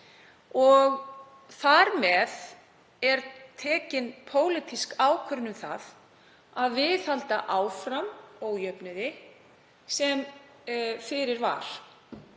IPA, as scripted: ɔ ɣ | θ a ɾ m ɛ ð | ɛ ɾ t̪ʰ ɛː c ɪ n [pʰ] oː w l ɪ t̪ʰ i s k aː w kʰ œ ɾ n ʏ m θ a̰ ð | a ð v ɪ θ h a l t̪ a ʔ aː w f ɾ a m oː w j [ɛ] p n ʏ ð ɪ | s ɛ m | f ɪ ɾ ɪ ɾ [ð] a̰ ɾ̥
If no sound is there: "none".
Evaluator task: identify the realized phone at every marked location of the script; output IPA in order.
pʰ, œ, v

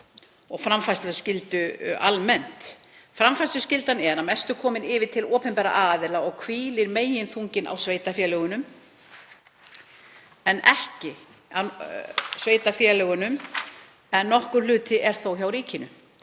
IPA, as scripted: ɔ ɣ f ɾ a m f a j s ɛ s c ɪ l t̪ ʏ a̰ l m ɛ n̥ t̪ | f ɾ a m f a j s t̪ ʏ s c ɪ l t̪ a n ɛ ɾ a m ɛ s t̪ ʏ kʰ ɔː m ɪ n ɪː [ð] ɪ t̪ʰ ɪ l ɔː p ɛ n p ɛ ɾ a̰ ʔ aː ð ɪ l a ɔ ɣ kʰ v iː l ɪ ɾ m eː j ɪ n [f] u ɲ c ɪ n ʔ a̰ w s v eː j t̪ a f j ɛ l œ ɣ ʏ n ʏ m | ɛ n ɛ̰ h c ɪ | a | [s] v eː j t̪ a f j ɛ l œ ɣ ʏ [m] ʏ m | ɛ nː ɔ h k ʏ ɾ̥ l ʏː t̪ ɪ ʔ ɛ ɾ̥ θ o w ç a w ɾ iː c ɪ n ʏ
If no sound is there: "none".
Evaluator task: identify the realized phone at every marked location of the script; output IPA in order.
v, θ, s, n

